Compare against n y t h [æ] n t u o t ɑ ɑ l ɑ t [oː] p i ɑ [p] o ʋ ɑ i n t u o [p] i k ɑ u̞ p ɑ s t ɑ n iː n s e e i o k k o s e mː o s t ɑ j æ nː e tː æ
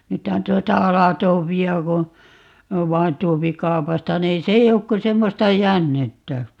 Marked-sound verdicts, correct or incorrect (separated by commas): correct, correct, incorrect, correct